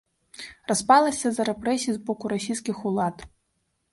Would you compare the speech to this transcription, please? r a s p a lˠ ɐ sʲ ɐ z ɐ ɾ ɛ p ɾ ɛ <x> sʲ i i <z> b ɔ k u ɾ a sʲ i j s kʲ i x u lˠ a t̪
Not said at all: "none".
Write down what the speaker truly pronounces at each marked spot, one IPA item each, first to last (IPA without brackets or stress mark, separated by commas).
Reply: none, z